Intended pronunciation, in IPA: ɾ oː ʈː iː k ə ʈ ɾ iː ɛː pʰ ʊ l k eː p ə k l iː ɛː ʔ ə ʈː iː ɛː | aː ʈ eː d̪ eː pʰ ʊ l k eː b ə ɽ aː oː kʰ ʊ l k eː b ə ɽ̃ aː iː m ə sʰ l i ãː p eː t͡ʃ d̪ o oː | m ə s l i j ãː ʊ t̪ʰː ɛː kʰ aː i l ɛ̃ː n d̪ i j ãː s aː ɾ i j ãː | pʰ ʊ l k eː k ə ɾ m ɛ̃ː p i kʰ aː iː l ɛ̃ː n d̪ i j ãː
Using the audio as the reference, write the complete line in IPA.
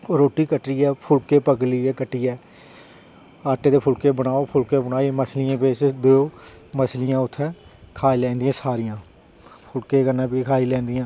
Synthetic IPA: ɾ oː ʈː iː k ə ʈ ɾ iː ɛː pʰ ʊ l k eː p ə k l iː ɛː k ə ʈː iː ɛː | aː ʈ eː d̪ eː pʰ ʊ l k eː b ə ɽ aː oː pʰ ʊ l k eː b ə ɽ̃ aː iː m ə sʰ l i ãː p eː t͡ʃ d̪ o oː | m ə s l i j ãː ʊ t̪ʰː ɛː kʰ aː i l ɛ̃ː n d̪ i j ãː s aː ɾ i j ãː | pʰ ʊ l k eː k ə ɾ n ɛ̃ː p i kʰ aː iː l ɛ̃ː n d̪ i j ãː